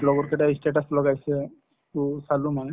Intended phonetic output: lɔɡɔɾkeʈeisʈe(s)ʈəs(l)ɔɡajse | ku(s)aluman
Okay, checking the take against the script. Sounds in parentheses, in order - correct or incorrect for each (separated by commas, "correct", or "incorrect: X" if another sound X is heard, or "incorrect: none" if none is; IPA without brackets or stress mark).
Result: incorrect: none, correct, correct